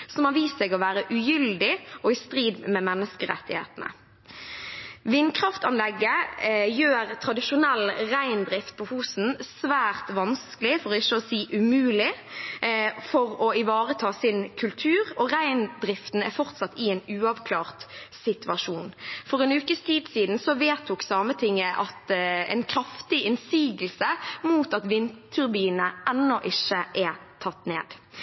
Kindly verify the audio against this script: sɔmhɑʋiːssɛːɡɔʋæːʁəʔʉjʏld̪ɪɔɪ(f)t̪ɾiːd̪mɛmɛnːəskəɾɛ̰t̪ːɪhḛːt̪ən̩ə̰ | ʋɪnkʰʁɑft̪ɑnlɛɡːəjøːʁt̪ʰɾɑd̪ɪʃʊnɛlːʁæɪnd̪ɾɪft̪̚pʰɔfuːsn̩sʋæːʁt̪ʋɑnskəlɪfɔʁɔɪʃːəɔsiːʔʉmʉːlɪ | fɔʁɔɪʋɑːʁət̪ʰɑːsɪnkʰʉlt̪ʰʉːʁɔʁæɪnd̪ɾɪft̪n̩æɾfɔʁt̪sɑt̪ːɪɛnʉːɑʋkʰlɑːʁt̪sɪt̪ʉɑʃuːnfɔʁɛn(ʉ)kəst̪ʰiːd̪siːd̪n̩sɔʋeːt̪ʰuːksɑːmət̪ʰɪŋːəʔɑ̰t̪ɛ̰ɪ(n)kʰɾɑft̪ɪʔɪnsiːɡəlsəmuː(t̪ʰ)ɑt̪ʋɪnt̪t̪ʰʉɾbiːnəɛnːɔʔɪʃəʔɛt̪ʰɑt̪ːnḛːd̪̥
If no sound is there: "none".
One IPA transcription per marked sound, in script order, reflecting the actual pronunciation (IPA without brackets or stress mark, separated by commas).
s, ʉː, n, t̪